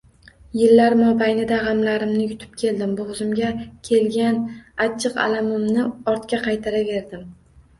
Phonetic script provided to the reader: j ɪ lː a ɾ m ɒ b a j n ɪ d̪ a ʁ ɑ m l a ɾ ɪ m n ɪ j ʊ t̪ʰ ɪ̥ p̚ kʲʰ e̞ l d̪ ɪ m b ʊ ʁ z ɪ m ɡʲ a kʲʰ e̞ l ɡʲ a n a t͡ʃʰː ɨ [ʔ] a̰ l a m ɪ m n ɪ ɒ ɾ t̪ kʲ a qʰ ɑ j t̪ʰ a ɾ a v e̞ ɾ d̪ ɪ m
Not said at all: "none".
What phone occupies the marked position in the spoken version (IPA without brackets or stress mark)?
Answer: q